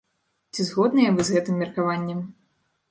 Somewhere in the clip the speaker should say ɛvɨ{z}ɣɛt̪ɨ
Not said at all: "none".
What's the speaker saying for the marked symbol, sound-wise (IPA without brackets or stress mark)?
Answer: z